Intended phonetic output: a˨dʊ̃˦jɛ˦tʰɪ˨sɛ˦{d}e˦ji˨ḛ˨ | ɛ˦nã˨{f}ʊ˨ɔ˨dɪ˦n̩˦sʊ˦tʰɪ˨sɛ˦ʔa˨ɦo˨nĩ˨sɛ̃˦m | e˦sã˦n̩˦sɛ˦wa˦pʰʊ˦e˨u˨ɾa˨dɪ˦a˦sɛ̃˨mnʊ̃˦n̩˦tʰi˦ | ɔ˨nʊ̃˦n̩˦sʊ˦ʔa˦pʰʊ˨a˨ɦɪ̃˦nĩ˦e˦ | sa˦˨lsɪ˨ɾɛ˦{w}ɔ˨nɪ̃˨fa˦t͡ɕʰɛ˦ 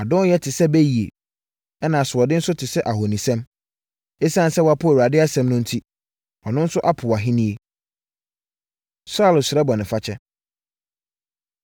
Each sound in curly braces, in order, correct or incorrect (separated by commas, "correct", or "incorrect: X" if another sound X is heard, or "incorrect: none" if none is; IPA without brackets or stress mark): incorrect: b, incorrect: s, incorrect: b